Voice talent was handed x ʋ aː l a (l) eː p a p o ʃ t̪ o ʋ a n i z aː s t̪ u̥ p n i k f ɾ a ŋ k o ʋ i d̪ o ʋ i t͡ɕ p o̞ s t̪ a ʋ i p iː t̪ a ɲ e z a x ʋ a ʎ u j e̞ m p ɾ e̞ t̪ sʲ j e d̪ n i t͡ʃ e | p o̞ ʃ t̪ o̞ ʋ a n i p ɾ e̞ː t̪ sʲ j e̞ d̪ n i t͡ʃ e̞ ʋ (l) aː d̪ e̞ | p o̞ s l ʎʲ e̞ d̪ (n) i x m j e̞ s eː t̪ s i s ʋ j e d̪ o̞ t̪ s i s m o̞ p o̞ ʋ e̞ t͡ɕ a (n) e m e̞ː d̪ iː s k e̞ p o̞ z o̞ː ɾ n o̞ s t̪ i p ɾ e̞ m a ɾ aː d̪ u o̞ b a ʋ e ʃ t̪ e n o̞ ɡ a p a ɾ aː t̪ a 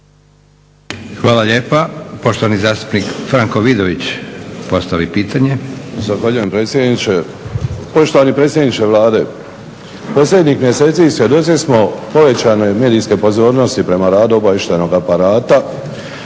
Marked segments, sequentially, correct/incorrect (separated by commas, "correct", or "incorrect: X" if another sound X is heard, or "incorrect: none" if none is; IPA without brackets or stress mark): incorrect: ʎ, correct, incorrect: ɲ, correct